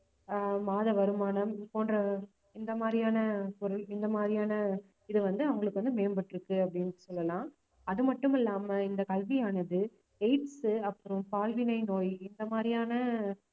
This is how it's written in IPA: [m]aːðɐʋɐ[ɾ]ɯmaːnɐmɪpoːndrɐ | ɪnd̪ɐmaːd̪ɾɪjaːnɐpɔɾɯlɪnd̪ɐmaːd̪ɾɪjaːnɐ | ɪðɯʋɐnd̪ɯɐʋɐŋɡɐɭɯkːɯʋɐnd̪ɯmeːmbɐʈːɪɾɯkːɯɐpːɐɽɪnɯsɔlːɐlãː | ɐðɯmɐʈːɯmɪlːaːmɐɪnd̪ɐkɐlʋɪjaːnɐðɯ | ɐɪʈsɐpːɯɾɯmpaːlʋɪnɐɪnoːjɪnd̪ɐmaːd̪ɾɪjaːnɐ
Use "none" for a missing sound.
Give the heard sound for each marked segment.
m, ɾ

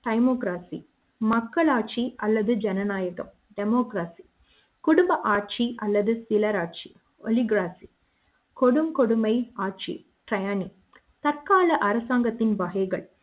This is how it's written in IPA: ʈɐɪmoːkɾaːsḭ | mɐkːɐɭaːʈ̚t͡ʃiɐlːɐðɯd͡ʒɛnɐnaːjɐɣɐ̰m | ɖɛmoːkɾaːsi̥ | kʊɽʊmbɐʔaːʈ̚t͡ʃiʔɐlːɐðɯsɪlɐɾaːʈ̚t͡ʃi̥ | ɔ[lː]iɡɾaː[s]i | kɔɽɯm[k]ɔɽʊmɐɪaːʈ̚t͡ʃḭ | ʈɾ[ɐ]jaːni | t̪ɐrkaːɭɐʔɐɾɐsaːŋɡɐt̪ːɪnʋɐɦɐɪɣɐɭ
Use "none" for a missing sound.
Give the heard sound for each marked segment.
l, s, k, ɐ

